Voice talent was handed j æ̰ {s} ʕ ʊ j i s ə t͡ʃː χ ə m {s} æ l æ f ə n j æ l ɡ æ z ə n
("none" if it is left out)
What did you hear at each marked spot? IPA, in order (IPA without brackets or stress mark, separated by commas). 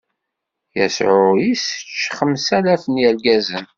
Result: s, s